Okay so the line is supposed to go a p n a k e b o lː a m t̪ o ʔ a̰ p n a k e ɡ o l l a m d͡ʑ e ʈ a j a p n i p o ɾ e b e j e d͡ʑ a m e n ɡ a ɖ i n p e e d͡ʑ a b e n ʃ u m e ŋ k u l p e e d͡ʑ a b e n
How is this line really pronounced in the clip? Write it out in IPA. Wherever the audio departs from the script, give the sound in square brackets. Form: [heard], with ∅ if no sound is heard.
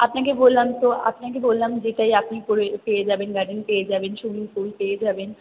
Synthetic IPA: a p n a k e b o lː a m t̪ o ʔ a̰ p n a k e [b] o l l a m d͡ʑ e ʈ a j a p n i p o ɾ e [p] e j e d͡ʑ a [b] e n ɡ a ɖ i n p e e d͡ʑ a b e n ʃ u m [i] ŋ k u l p e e d͡ʑ a b e n